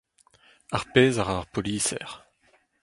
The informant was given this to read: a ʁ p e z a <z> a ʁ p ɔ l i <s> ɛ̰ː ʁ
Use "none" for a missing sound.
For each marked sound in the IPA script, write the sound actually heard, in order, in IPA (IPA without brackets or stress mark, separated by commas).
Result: ʁ, s